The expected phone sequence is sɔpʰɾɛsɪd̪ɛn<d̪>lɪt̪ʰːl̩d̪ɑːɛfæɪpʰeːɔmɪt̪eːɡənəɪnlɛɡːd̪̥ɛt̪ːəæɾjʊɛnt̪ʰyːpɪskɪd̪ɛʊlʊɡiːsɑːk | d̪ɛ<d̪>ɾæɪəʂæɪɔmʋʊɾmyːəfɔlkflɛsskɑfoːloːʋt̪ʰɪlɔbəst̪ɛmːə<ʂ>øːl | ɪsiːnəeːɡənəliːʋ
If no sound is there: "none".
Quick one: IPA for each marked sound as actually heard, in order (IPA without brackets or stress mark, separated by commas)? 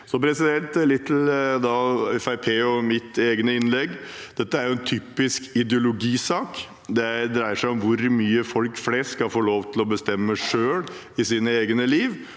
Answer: t̪, d̪, ʂ